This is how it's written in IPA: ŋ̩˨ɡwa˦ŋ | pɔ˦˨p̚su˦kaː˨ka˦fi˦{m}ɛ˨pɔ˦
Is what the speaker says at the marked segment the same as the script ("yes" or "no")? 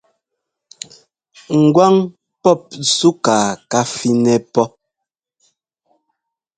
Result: no